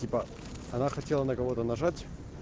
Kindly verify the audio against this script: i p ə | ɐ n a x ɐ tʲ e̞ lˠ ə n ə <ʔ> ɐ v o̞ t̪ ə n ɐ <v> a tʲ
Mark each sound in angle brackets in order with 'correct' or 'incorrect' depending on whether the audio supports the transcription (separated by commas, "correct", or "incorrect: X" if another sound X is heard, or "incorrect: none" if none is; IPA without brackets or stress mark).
incorrect: k, incorrect: ʐ